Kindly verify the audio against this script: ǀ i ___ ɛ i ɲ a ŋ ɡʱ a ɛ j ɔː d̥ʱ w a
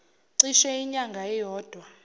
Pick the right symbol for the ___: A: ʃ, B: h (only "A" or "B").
A